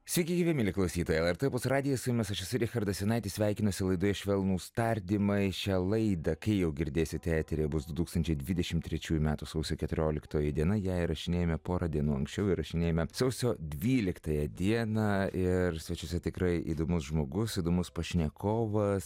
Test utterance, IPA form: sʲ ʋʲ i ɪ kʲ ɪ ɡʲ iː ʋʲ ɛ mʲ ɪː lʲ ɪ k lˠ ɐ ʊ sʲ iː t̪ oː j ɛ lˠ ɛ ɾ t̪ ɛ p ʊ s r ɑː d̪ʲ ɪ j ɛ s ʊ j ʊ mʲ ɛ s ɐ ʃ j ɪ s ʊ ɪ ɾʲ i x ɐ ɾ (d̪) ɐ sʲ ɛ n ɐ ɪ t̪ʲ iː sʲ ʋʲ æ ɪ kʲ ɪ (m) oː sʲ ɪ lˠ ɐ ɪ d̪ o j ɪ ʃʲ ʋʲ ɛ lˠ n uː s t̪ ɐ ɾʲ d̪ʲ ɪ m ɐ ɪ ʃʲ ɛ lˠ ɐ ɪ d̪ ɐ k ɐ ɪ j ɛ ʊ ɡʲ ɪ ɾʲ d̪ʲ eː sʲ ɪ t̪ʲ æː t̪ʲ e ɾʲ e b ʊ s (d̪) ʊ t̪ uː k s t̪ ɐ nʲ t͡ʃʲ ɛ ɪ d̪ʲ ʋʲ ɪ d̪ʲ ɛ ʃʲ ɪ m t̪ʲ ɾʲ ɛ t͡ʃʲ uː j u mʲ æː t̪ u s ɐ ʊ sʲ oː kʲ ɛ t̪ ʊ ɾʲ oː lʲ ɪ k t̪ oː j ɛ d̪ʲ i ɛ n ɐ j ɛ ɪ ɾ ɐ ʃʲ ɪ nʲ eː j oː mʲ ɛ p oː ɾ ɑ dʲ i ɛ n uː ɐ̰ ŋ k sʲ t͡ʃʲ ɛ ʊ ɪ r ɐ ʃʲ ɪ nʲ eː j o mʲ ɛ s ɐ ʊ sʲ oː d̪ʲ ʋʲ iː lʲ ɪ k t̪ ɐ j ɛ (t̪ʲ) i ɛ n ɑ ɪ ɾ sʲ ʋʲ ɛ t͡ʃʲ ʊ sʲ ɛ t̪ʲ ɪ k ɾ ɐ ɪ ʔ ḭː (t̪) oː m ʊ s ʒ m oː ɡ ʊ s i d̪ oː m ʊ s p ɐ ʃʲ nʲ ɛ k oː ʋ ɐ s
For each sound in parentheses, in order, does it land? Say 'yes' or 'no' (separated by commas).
yes, no, yes, no, no